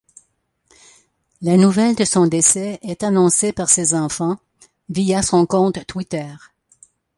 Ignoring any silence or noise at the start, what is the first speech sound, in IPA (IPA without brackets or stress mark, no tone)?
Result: l